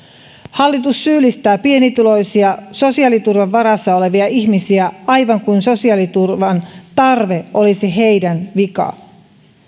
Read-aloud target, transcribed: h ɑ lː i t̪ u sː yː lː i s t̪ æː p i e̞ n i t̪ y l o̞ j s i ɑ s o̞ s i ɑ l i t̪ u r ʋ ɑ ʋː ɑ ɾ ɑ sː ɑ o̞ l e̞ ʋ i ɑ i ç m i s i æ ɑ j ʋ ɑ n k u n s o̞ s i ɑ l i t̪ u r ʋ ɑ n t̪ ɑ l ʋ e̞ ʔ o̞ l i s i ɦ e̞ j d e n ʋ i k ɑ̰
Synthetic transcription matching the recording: h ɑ lː i t̪ u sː yː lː i s t̪ æː p i e̞ n i t̪ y l o̞ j s i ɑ s o̞ s i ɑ l i t̪ u r ʋ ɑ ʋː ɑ ɾ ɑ sː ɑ o̞ l e̞ ʋ i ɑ i ç m i s i æ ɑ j ʋ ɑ ŋ k u n s o̞ s i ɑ l i t̪ u r ʋ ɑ n t̪ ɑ r ʋ e̞ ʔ o̞ l i s i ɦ e̞ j d æ n ʋ i k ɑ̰